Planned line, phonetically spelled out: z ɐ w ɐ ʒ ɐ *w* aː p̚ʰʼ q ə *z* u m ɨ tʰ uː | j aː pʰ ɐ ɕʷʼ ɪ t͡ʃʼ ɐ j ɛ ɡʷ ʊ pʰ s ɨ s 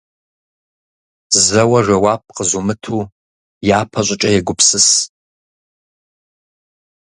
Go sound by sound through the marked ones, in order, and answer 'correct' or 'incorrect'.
correct, correct

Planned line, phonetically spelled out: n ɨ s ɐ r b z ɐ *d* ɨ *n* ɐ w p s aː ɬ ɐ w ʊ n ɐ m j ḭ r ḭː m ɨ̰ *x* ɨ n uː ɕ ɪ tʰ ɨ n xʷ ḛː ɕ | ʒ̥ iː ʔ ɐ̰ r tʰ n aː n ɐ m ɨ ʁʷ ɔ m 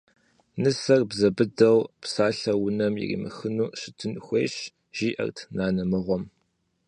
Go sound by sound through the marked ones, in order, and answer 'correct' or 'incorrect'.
incorrect, incorrect, correct

